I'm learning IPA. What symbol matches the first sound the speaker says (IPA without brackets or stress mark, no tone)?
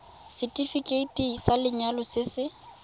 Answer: s